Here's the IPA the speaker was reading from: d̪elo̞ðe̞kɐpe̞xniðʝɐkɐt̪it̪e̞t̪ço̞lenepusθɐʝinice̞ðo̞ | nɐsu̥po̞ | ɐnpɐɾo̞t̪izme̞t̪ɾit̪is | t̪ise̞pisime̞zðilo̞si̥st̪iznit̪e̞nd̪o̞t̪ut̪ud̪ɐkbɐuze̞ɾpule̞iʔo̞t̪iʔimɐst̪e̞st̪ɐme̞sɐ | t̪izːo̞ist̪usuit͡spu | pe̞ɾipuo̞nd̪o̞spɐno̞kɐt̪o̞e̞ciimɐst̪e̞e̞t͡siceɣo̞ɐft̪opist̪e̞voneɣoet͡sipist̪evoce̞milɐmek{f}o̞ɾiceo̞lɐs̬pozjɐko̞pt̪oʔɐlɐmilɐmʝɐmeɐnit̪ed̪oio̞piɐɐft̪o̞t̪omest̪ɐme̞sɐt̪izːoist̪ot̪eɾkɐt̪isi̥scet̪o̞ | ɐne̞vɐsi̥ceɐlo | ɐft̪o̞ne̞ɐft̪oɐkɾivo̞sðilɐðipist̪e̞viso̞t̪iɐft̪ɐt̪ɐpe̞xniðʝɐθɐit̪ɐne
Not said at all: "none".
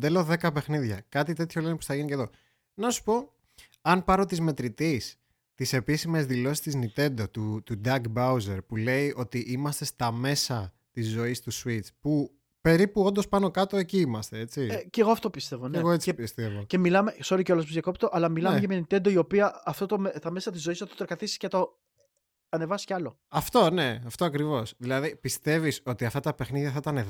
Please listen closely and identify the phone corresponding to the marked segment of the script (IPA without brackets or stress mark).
s